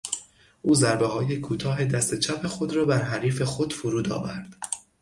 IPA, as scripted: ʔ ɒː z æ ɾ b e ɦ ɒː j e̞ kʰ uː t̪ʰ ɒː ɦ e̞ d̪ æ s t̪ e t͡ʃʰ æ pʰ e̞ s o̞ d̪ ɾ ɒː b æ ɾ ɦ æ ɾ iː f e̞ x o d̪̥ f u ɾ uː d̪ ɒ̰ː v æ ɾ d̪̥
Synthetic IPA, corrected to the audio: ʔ uː z æ ɾ b e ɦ ɒː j e̞ kʰ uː t̪ʰ ɒː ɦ e̞ d̪ æ s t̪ e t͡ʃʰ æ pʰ e̞ x o̞ d̪ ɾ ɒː b æ ɾ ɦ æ ɾ iː f e̞ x o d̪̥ f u ɾ uː d̪ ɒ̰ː v æ ɾ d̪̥